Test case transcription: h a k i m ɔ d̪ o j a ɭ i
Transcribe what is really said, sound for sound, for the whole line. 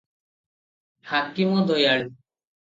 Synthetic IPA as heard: h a k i m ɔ d̪ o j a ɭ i